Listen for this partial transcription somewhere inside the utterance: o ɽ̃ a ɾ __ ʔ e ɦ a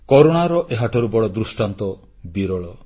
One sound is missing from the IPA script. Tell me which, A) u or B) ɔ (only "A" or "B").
B